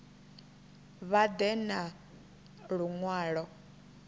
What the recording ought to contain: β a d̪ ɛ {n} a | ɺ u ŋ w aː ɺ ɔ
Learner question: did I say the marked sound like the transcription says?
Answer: yes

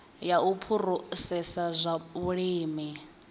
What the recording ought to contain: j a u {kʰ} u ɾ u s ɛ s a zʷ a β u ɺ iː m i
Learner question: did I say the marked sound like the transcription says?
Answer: no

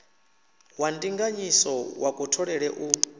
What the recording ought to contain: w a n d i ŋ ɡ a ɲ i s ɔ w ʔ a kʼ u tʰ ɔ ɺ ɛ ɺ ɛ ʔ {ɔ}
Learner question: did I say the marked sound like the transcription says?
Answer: no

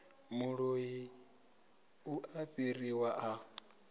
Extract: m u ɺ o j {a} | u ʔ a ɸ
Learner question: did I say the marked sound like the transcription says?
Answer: no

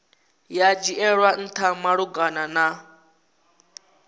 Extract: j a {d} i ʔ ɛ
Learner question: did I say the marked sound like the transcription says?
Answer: no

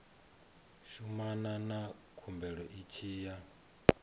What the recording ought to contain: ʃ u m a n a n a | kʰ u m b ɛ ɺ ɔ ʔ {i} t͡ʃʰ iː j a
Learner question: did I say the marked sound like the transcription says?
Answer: yes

